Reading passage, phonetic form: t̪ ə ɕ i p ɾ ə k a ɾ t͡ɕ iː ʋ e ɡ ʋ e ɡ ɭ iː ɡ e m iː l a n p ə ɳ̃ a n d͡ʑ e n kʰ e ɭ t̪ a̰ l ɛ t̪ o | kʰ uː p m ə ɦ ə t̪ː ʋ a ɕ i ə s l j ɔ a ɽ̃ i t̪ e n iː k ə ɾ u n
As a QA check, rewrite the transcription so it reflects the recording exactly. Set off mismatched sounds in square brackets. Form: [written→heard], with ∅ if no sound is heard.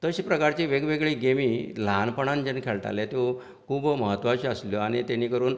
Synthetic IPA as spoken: t̪ ə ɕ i p ɾ ə k a ɾ t͡ɕ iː ʋ e ɡ ʋ e ɡ ɭ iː ɡ e m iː l a n p ə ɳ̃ a n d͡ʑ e n kʰ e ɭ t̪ a̰ l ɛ t̪ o | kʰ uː [p→b] m ə ɦ ə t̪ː ʋ a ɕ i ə s l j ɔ a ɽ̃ i t̪ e n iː k ə ɾ [u→uː] n